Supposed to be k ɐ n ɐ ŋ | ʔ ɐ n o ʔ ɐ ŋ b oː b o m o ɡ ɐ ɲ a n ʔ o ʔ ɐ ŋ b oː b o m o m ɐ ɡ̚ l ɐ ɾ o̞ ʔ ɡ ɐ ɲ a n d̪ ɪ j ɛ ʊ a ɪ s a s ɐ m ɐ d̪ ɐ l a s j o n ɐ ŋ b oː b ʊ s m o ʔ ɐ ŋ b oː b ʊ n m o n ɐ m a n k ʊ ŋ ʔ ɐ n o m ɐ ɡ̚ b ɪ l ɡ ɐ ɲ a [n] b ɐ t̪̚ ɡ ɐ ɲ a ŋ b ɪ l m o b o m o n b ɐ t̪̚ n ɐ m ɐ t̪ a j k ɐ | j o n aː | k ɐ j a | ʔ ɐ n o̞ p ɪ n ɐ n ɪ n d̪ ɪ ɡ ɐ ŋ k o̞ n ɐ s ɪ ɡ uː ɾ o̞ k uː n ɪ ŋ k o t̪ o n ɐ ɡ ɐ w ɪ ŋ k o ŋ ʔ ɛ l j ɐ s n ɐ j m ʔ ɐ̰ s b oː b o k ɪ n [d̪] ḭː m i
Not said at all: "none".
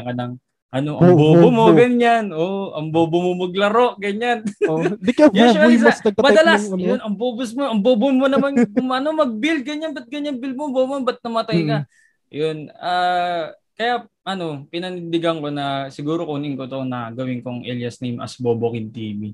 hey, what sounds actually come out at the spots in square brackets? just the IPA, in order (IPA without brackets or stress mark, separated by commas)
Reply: n, t̪